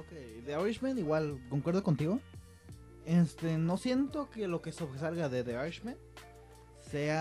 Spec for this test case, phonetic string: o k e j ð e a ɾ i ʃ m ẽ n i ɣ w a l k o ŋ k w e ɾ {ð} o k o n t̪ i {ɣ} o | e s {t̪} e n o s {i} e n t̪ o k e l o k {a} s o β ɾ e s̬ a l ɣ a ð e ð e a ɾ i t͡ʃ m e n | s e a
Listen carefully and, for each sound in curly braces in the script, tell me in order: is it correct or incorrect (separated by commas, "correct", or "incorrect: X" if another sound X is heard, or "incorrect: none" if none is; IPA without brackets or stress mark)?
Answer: correct, correct, correct, incorrect: j, incorrect: e